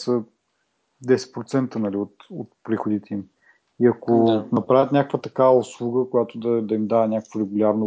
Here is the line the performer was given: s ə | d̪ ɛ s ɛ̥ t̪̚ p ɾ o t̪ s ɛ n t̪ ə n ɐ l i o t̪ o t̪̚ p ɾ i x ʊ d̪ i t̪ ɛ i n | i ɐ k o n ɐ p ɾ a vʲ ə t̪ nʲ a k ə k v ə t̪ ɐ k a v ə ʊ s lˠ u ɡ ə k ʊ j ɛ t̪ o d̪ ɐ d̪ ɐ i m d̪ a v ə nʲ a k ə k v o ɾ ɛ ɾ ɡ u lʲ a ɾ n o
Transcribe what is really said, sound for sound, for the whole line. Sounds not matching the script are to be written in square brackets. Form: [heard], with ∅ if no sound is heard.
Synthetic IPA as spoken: s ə | d̪ ɛ s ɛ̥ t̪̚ p ɾ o t̪ s ɛ n t̪ ə n ɐ l i o t̪ o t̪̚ p ɾ i x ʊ d̪ i t̪ ɛ i [m] | i ɐ k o n ɐ p ɾ a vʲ ə t̪ nʲ a k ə k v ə t̪ ɐ k a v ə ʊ s lˠ u ɡ ə k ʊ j [a] t̪ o d̪ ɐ d̪ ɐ i m d̪ a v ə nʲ a k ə k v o ɾ ɛ [∅] ɡ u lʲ a ɾ n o